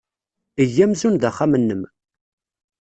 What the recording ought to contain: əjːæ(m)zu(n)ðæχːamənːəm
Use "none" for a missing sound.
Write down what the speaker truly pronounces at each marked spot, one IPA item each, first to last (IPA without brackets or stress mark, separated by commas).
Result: m, n